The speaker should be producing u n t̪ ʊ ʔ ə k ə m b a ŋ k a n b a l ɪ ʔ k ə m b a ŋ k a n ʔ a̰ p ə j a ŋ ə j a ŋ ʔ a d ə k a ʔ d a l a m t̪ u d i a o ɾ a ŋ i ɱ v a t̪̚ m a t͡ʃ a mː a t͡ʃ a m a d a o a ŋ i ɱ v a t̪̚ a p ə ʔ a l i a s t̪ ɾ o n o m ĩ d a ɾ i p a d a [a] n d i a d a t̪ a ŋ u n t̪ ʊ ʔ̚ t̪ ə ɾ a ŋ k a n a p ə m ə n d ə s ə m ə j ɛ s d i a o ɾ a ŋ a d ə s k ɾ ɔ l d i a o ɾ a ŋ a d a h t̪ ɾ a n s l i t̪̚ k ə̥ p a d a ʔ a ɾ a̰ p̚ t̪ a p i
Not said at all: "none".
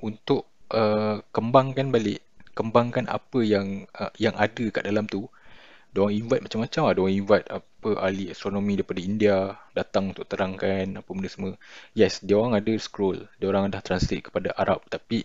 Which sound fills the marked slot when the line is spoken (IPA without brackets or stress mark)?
i